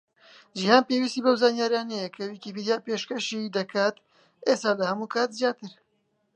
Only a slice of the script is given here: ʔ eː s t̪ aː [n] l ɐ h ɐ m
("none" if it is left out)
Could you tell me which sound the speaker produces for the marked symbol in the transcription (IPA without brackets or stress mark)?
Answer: none